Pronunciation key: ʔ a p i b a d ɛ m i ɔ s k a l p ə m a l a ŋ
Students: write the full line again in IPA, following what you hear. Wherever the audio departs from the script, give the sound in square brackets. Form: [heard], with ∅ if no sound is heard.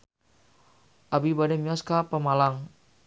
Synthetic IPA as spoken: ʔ a [b] i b a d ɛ m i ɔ s k a [∅] p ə m a l a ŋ

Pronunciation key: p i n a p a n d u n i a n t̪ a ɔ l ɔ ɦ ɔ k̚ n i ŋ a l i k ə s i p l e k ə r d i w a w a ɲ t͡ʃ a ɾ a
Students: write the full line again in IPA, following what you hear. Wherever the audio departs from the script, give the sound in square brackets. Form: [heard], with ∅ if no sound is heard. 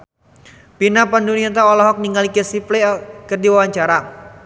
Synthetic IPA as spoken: p i n a p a n d u n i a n t̪ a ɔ l ɔ ɦ ɔ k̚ n i ŋ a l i k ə s i p l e k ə r d i w a w a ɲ t͡ʃ a ɾ a

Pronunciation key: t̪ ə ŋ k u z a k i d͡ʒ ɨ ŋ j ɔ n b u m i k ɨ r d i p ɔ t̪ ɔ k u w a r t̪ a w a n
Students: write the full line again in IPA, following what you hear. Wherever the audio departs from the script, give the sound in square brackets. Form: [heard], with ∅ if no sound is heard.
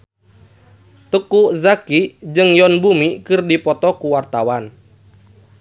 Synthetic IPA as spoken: t̪ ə [∅] k u z a k i d͡ʒ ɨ ŋ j ɔ n b u m i k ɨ r d i p ɔ t̪ ɔ k u w a r t̪ a w a n

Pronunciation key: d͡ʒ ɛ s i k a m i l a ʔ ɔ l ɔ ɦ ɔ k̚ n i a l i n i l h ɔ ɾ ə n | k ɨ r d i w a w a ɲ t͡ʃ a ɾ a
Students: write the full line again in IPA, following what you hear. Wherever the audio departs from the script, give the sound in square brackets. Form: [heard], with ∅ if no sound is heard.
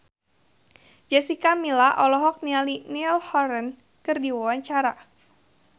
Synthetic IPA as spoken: d͡ʒ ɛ s i k a m i l a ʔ ɔ l ɔ ɦ ɔ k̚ n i a l i n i l h ɔ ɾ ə n | k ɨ r d i w a w a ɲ t͡ʃ a ɾ a

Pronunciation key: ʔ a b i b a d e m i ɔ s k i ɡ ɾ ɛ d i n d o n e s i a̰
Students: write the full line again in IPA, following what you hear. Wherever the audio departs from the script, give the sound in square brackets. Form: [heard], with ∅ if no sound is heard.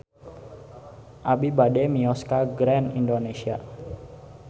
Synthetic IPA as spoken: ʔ a b i b a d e m i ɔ s k [a] ɡ ɾ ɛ [n] i n d o n e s i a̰

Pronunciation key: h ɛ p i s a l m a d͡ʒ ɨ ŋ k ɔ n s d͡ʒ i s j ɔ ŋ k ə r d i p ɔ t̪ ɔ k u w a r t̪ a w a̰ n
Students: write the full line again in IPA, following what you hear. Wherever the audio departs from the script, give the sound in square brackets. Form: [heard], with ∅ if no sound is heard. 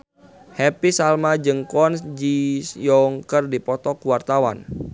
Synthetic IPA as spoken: h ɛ p i s a l m a d͡ʒ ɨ ŋ k ɔ n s d͡ʒ i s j ɔ ŋ k ə r d i p ɔ t̪ ɔ k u w a r t̪ a w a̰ n

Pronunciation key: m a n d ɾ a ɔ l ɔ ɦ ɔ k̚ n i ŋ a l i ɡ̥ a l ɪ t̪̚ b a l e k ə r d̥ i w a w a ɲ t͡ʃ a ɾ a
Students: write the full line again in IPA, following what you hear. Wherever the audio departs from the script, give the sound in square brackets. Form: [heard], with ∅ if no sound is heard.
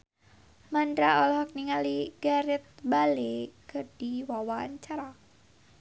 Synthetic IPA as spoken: m a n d ɾ a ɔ l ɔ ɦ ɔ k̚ n i ŋ a l i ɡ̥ a [ɾ] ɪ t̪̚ b a l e k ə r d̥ i w a w a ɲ t͡ʃ a ɾ a

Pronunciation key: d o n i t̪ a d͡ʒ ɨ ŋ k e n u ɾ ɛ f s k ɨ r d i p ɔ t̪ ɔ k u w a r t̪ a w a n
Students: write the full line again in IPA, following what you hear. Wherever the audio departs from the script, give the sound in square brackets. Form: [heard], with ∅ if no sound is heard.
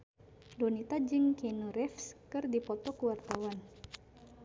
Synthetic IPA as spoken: d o n i t̪ a d͡ʒ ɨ ŋ k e n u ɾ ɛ f s k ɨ r d i p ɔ t̪ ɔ k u w a r t̪ a w a n

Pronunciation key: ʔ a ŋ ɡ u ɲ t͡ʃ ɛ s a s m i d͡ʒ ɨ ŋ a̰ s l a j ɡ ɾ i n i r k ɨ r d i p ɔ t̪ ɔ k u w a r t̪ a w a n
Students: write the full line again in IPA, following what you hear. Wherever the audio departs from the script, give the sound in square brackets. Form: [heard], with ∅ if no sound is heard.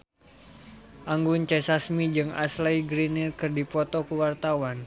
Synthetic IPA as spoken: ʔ a ŋ ɡ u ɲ t͡ʃ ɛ s a s m i d͡ʒ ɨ ŋ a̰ s l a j ɡ ɾ i n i r k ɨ r d i p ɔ t̪ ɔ k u w a r t̪ a w a n

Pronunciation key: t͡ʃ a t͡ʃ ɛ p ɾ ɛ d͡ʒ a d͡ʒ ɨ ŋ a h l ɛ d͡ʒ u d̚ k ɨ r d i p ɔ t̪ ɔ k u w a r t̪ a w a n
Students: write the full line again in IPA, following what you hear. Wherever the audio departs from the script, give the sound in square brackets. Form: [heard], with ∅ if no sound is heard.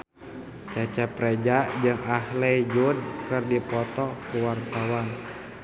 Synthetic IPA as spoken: t͡ʃ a t͡ʃ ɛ p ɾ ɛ d͡ʒ a d͡ʒ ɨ ŋ a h l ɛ d͡ʒ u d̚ k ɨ r d i p ɔ t̪ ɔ k u w a r t̪ a w a n

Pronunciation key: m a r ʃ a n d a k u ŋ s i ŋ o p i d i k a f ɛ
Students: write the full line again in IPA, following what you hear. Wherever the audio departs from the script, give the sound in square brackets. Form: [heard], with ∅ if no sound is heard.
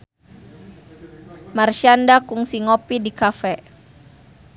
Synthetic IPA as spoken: m a r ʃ a n d a k u ŋ s i ŋ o p i d i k a f ɛ

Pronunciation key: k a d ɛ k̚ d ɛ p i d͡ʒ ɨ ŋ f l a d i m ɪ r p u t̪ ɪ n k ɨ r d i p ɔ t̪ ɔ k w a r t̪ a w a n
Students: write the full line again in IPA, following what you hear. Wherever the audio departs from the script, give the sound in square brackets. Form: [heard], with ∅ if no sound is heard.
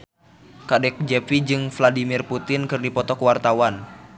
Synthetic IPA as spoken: k a d ɛ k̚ [d͡ʒ] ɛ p i d͡ʒ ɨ ŋ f l a d i m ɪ r p u t̪ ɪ n k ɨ r d i p ɔ t̪ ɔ k w a r t̪ a w a n

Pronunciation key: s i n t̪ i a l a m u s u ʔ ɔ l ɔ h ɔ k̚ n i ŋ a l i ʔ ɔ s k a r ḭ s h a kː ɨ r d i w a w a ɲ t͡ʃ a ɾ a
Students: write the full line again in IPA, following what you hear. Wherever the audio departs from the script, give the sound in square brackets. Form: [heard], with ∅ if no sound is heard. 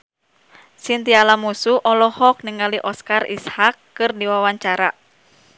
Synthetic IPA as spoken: s i n t̪ i a l a m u s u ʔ ɔ l ɔ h ɔ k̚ n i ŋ a l i ʔ ɔ s k a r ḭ s h a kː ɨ r d i w a w a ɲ t͡ʃ a ɾ a

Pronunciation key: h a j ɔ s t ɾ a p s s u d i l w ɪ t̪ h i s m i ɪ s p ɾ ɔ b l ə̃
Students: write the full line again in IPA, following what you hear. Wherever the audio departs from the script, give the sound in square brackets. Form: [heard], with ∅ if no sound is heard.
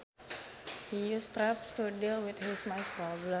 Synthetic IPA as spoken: h [i] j [u] s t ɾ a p s [t] u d i l w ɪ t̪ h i s m [a] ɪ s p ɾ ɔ b l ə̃

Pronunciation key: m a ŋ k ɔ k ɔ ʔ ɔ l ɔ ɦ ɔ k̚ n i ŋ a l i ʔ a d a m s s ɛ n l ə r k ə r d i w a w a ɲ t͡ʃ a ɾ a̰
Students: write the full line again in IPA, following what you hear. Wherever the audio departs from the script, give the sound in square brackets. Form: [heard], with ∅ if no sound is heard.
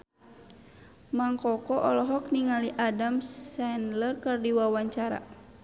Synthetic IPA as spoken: m a ŋ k ɔ k ɔ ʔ ɔ l ɔ ɦ ɔ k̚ n i ŋ a l i ʔ a d a m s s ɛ n l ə r k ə r d i w a w a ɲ t͡ʃ a ɾ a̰

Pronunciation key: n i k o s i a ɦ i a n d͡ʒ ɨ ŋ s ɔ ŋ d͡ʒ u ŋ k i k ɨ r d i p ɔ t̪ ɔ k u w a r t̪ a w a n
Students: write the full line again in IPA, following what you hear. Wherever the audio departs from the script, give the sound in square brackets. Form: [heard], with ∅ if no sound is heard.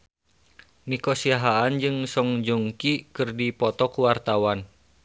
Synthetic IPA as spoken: n i k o s i a ɦ [a] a n d͡ʒ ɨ ŋ s ɔ ŋ d͡ʒ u ŋ k i k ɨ r d i p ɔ t̪ ɔ k u w a r t̪ a w a n

